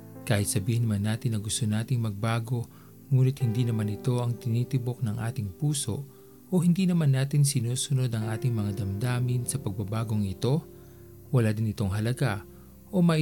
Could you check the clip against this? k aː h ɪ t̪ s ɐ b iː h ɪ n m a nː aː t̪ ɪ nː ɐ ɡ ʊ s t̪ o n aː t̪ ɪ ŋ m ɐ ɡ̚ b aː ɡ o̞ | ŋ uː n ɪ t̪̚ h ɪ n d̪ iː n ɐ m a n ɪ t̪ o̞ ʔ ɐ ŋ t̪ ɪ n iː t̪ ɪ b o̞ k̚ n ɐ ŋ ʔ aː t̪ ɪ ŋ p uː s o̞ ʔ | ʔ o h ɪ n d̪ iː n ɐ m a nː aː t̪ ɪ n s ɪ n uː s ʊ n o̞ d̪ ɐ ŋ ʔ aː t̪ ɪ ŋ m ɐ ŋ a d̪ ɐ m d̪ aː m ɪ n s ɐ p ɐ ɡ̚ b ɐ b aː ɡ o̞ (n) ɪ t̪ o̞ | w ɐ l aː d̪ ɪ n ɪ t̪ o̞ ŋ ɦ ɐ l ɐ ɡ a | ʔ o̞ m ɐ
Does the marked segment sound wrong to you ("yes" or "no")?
yes